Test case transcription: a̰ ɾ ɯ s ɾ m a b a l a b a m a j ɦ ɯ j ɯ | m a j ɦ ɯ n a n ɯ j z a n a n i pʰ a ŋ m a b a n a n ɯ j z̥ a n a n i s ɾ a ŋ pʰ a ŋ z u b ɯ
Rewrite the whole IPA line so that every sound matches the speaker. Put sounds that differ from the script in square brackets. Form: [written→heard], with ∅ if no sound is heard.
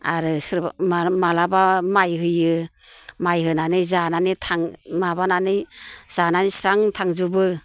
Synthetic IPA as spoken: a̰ ɾ ɯ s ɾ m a [b→m] a l a b a m a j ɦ ɯ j ɯ | m a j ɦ ɯ n a n ɯ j z a n a n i [pʰ→tʰ] a ŋ m a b a n a n ɯ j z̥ a n a n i s ɾ a ŋ [pʰ→tʰ] a ŋ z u b ɯ

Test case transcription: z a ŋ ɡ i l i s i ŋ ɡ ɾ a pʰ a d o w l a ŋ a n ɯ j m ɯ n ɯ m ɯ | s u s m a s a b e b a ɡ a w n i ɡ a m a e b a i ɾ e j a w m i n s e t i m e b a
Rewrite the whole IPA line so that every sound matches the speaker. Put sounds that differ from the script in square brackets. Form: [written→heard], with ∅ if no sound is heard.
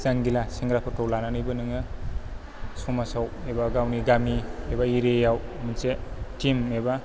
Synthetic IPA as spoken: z a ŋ ɡ i l [i→a] s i ŋ ɡ ɾ a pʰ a [d→t] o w l a [ŋ→n] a n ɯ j [m→b] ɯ n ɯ [m→ŋ] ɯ | s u [s→∅] m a s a [b→w] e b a ɡ a w n i ɡ a m [a→i] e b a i ɾ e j a w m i n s e t i m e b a

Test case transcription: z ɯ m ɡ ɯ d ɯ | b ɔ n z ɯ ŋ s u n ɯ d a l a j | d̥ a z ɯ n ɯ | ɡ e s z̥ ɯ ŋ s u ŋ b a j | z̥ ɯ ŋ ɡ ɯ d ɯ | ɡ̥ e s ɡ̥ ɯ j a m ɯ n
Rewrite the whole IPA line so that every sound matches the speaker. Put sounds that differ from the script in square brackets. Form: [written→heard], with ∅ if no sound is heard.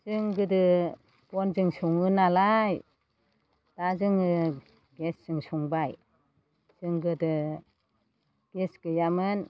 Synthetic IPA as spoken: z ɯ [m→ŋ] ɡ ɯ d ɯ | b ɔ n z ɯ ŋ s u [n→ŋ] ɯ [d→n] a l a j | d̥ a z ɯ [n→ŋ] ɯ | ɡ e s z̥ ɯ ŋ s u ŋ b a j | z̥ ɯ ŋ ɡ ɯ d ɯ | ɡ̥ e s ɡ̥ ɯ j a m ɯ n

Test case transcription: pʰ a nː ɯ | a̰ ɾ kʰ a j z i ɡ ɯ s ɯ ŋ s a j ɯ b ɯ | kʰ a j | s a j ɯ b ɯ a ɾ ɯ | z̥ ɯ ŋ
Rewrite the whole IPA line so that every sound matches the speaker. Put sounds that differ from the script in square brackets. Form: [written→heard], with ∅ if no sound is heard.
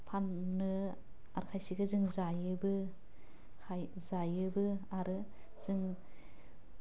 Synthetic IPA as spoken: pʰ a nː ɯ | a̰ ɾ kʰ a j [z→s] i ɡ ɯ [s→z] ɯ ŋ [s→z] a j ɯ b ɯ | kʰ a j | [s→z] a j ɯ b ɯ a ɾ ɯ | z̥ ɯ ŋ

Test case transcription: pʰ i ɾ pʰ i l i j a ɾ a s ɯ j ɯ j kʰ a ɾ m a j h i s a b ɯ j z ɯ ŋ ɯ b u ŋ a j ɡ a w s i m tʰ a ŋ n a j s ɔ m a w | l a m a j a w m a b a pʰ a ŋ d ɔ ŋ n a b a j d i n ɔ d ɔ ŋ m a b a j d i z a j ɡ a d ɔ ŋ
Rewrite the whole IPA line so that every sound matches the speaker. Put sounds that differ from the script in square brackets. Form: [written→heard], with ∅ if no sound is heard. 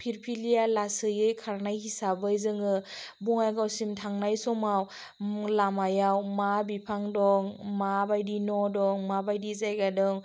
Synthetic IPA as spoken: pʰ i ɾ pʰ i l i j a [ɾ→l] a s ɯ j ɯ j kʰ a ɾ [m→n] a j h i s a b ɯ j z ɯ ŋ ɯ b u ŋ a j ɡ a w s i m tʰ a ŋ n a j s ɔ m a w | l a m a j a w m a b [a→i] pʰ a ŋ d ɔ ŋ [n→m] a b a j d i n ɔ d ɔ ŋ m a b a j d i z a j ɡ a d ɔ ŋ

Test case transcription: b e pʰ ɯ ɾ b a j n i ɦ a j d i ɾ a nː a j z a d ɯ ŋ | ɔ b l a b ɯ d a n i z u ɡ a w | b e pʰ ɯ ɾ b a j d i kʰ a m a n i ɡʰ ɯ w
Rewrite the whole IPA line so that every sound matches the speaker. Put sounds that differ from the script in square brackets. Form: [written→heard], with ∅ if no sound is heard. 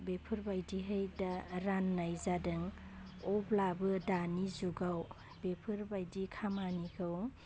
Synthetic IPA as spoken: b e pʰ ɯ ɾ b a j [n→d] i ɦ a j d [i→a] ɾ a nː a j z a d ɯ ŋ | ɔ b l a b ɯ d a n i z u ɡ a w | b e pʰ ɯ ɾ b a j d i kʰ a m a n i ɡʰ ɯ w

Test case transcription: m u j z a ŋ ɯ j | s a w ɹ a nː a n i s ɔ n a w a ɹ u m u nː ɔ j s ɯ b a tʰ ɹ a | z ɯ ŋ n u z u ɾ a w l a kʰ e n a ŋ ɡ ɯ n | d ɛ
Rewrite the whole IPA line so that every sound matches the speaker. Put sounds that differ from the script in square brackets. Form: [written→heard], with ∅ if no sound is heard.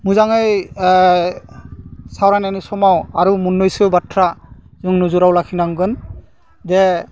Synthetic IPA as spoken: m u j z a ŋ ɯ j | s a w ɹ a [nː→n] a n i s ɔ [n→m] a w a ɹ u m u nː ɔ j s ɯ b a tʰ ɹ a | z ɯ ŋ n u z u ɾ a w l a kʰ [e→i] n a ŋ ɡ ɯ n | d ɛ

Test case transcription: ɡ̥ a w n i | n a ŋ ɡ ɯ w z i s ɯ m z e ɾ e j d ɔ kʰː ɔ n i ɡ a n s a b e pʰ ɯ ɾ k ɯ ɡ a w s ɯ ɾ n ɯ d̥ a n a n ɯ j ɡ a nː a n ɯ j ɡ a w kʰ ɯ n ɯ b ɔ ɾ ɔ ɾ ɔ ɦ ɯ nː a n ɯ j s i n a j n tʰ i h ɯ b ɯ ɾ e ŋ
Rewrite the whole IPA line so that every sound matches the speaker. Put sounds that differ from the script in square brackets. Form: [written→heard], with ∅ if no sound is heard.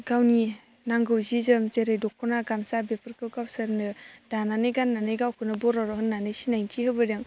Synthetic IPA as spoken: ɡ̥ a w n i | n a ŋ ɡ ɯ w z i [s→z] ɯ m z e ɾ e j d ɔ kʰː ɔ n [i→a] ɡ a [n→m] s a b e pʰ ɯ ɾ k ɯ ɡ a w s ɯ ɾ n ɯ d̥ a n a n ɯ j ɡ a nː a n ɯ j ɡ a w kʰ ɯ n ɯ b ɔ ɾ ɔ ɾ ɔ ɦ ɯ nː a n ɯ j s i n a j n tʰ i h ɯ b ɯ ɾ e ŋ

